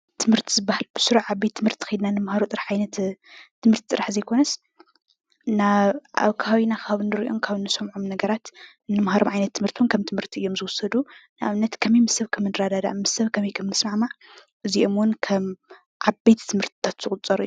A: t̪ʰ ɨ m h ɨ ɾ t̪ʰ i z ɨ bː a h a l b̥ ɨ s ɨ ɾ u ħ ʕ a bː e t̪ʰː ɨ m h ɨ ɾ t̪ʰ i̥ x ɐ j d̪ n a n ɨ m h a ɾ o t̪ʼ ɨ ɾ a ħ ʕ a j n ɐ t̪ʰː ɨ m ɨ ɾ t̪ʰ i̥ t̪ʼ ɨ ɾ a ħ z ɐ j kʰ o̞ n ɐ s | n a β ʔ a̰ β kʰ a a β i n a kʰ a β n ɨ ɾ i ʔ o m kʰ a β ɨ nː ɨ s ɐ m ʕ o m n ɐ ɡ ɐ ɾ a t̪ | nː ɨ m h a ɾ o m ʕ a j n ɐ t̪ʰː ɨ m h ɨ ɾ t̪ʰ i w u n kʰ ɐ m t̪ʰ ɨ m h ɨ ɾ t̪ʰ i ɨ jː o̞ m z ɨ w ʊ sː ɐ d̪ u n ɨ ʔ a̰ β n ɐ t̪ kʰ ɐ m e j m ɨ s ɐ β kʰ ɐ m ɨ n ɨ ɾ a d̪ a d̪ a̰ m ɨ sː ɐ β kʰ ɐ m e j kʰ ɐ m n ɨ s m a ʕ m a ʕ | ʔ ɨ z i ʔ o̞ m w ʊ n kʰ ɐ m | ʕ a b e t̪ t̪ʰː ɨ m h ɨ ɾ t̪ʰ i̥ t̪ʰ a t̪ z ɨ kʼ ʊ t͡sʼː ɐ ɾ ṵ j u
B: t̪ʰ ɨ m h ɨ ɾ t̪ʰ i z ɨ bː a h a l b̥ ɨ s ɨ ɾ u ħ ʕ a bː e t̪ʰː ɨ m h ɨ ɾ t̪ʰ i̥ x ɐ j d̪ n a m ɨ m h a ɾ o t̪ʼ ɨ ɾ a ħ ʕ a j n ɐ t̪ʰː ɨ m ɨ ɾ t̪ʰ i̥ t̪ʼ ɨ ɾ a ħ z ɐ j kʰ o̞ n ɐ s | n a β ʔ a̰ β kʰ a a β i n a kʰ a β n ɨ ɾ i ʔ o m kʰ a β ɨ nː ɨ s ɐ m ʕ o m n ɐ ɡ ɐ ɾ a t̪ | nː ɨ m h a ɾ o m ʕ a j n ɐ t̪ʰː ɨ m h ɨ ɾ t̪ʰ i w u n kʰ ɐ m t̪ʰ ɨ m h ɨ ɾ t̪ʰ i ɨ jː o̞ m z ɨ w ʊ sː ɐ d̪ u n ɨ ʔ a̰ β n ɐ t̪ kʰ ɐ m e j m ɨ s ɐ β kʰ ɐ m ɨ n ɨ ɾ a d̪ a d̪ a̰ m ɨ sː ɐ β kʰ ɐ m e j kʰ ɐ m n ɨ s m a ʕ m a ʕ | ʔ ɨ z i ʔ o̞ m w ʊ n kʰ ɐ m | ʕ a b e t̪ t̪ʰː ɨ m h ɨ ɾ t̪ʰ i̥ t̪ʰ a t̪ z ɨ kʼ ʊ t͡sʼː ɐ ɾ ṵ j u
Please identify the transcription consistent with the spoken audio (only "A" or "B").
A